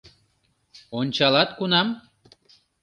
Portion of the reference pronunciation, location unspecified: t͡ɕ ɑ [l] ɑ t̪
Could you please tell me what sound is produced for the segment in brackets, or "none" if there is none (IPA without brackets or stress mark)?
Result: l